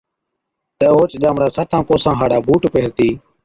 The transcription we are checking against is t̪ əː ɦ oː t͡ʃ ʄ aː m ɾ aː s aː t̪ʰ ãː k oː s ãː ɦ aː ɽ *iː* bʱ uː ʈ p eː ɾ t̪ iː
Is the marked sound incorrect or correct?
incorrect